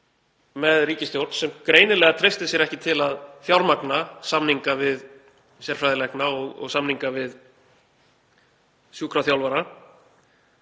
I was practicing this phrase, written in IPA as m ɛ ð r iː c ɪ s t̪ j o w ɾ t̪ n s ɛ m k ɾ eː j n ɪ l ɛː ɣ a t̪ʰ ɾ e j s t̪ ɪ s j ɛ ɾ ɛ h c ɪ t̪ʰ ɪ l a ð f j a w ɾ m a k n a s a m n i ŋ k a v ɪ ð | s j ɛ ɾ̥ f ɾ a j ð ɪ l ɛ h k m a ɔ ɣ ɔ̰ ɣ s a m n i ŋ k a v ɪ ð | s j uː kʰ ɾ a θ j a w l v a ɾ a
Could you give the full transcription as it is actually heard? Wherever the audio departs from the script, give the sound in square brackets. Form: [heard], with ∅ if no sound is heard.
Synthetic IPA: m ɛ ð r iː c ɪ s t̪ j o w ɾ t̪ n s ɛ m k ɾ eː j n ɪ l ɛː ɣ a t̪ʰ ɾ e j s t̪ ɪ s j ɛ ɾ ɛ h c ɪ t̪ʰ ɪ l a ð [θ] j a w ɾ m a k n a s a m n i ŋ k a v ɪ ð | s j ɛ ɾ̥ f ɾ a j ð ɪ l ɛ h k [n] a ɔ ɣ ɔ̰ ɣ s a m n i ŋ k a v ɪ ð | s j uː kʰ ɾ a θ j a w l v a ɾ a